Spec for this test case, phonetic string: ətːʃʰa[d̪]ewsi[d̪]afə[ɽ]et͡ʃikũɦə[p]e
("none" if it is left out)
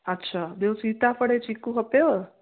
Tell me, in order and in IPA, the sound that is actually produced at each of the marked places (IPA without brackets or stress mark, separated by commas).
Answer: d̪, t̪, ɽ, p